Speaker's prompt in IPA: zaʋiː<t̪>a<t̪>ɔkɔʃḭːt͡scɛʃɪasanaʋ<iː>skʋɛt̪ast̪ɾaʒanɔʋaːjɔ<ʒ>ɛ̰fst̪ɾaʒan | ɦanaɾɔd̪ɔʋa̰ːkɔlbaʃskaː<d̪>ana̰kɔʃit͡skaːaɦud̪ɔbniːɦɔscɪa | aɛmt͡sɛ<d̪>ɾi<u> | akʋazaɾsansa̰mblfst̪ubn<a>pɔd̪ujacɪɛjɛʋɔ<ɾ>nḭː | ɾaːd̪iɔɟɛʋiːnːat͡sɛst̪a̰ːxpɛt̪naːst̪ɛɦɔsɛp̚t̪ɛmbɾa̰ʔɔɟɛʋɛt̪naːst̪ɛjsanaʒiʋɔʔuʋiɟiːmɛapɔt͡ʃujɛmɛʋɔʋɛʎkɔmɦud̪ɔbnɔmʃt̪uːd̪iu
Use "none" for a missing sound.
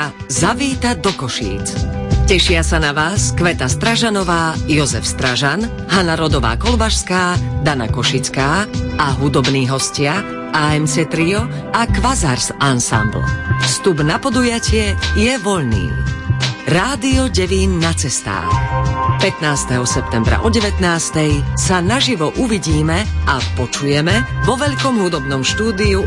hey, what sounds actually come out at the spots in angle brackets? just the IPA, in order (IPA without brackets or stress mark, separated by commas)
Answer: t̪, d̪, aː, z, d̪, t̪, ɔ, a, ʎ